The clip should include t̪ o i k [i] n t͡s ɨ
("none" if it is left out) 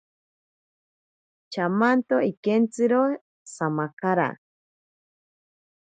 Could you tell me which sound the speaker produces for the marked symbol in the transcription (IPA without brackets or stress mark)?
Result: e